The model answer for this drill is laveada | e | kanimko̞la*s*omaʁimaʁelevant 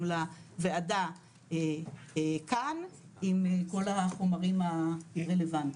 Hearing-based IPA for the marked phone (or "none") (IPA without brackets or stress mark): χ